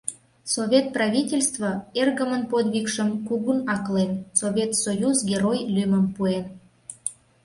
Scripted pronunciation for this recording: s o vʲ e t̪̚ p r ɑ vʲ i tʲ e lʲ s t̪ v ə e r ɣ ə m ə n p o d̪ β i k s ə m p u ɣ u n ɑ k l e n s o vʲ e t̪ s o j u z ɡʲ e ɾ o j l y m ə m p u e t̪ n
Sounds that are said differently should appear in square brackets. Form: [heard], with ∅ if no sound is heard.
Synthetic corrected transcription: s o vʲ e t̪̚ p r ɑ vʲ i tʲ e lʲ s t̪ v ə e r ɣ ə m ə n p o d̪ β i k [ʃ] ə m [k] u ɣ u n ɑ k l e n s o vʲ e t̪ s o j u z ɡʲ e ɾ o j l y m ə m p u e [∅] n